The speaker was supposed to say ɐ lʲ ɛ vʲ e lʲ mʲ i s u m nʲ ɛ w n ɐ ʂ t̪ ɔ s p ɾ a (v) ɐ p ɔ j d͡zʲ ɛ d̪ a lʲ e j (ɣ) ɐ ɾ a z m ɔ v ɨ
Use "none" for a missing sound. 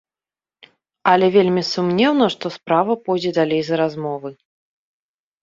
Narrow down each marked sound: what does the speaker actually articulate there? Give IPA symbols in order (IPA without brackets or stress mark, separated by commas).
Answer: v, z